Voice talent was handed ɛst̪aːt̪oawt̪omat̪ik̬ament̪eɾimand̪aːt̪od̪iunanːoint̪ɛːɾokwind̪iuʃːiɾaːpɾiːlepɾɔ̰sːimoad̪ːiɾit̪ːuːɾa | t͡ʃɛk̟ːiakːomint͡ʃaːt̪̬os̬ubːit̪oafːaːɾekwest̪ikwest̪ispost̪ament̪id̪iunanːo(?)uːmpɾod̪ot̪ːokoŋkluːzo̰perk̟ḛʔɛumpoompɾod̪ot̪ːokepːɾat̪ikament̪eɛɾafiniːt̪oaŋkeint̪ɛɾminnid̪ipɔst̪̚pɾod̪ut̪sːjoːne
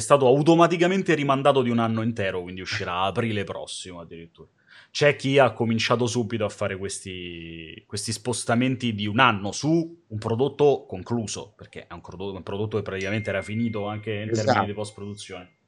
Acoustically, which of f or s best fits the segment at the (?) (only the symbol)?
s